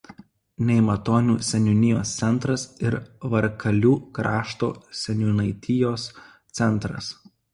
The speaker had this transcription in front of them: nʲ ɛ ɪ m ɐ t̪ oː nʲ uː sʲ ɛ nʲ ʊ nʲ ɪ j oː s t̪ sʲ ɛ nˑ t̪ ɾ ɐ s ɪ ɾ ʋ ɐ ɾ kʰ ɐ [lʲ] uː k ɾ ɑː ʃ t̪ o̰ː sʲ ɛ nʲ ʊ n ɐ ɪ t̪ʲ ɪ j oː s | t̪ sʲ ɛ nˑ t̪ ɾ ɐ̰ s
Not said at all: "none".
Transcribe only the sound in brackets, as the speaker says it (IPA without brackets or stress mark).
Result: lʲ